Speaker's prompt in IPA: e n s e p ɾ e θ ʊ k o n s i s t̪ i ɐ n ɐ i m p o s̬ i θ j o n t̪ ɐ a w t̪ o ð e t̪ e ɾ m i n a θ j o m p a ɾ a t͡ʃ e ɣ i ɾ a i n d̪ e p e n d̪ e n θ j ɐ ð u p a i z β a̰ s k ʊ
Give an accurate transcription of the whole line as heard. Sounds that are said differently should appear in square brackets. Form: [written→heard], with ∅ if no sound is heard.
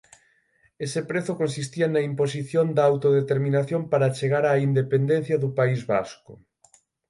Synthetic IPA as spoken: e [n→∅] s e p ɾ e θ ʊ k o n s i s t̪ i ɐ n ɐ i m p o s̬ i θ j o n [t̪→d̪] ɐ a w t̪ o ð e t̪ e ɾ m i n a θ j o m p a ɾ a t͡ʃ e ɣ [i→a] ɾ a i n d̪ e p e n d̪ e n θ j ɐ ð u p a i z β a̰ s k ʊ